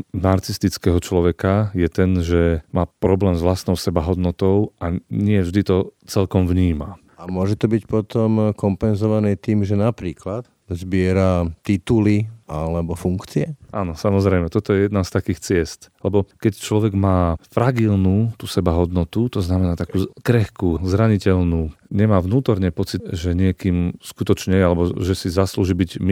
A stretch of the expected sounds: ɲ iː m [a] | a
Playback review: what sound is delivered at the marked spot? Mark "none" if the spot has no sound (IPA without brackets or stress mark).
a